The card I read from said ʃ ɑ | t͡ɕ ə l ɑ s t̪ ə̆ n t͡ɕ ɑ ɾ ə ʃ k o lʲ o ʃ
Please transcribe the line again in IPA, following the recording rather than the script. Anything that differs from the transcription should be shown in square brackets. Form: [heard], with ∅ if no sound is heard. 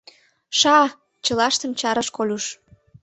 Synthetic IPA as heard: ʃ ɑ | t͡ɕ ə l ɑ [ʃ] t̪ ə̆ [m] t͡ɕ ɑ ɾ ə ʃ k o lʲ [u] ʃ

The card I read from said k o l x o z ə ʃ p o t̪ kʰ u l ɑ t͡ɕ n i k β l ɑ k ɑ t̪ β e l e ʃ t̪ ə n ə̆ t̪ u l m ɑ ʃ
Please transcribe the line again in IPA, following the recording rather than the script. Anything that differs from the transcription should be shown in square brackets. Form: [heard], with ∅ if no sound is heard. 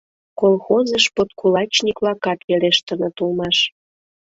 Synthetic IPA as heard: k o l x o z ə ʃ p o t̪ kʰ u l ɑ t͡ɕ n i k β l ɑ k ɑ t̪ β e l e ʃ t̪ ə n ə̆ t̪ u l m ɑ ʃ

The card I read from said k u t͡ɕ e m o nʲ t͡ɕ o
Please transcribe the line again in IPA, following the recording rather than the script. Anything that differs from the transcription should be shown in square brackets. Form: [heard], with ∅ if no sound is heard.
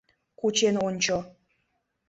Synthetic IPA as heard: k u t͡ɕ e [n] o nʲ t͡ɕ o

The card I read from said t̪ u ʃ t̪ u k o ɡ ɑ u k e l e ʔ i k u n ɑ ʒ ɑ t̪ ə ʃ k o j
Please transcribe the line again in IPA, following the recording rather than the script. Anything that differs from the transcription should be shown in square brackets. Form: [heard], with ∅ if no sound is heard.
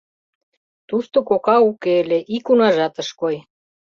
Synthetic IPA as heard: t̪ u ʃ t̪ [o] k o [k] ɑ u k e l e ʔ i k u n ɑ ʒ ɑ t̪ ə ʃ k o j

